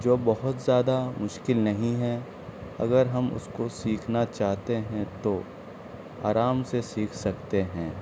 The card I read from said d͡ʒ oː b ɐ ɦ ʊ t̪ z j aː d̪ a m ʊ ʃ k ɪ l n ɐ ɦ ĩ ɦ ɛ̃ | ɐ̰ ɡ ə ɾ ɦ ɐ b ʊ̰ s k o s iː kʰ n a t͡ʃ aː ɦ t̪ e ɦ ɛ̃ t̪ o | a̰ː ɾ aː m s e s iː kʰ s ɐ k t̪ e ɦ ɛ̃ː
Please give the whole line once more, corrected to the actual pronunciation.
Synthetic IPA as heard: d͡ʒ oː b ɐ ɦ ʊ t̪ z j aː d̪ a m ʊ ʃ k ɪ l n ɐ ɦ ĩ ɦ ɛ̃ | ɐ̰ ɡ ə ɾ ɦ ɐ m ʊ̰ s k o s iː kʰ n a t͡ʃ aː ɦ t̪ e ɦ ɛ̃ t̪ o | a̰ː ɾ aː m s e s iː kʰ s ɐ k t̪ e ɦ ɛ̃ː